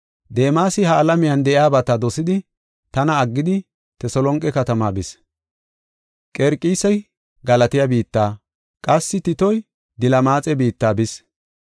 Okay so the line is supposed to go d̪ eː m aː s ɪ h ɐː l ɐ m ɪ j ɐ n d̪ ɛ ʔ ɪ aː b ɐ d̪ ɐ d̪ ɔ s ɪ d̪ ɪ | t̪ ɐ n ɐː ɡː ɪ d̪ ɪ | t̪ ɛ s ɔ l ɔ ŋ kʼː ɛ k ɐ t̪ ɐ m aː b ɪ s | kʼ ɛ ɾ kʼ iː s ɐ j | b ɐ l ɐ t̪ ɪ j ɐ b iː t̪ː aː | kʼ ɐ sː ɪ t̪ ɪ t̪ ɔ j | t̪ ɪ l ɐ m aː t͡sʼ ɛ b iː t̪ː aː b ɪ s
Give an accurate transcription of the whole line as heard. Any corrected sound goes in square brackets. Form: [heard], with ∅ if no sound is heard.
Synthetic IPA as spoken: d̪ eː m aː s ɪ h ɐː l ɐ m ɪ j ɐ n d̪ ɛ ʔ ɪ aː b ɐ [t̪] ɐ d̪ ɔ s ɪ d̪ ɪ | t̪ ɐ n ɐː ɡː ɪ d̪ ɪ | t̪ ɛ s ɔ l ɔ ŋ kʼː ɛ k ɐ t̪ ɐ m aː b ɪ s | kʼ ɛ ɾ kʼ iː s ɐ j | [ɡ] ɐ l ɐ t̪ ɪ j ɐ b iː t̪ː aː | kʼ ɐ sː ɪ t̪ ɪ t̪ ɔ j | [d̪] ɪ l ɐ m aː t͡sʼ ɛ b iː t̪ː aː b ɪ s